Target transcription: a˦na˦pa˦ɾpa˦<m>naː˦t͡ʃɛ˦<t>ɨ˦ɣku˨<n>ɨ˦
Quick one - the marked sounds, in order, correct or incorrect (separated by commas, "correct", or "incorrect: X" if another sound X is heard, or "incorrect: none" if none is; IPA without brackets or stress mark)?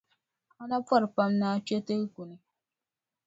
correct, correct, correct